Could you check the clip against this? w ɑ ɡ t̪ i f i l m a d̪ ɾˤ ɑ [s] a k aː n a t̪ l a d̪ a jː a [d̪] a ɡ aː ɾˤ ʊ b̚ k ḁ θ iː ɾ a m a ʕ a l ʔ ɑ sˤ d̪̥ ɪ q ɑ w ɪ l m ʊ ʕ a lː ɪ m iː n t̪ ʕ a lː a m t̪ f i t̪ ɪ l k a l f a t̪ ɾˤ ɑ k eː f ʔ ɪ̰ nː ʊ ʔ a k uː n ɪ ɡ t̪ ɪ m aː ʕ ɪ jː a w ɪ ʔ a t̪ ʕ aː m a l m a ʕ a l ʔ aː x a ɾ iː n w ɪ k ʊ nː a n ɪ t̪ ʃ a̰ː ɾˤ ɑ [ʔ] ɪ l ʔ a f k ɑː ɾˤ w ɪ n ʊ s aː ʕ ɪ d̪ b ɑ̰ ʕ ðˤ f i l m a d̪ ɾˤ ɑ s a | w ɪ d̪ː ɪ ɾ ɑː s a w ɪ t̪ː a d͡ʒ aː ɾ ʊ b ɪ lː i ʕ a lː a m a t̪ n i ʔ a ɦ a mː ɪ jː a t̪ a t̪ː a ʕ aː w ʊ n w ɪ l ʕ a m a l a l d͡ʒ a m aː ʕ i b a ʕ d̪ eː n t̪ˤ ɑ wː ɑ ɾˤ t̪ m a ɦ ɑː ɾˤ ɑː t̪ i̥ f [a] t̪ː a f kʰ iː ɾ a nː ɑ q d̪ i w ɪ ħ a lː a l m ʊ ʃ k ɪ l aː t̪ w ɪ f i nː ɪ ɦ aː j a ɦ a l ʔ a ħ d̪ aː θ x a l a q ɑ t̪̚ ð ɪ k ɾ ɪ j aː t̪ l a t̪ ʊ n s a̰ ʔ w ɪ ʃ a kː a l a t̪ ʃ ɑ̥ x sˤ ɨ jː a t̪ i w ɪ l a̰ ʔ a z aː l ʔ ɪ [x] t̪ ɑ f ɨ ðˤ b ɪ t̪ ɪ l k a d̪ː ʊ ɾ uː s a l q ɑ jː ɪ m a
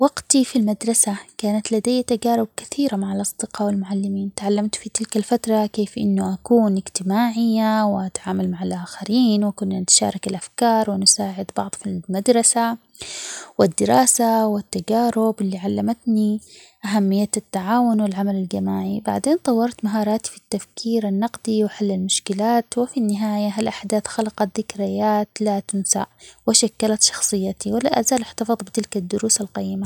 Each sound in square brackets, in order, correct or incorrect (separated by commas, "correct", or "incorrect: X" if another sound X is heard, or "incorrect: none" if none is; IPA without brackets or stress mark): correct, incorrect: t̪, incorrect: k, incorrect: i, incorrect: ħ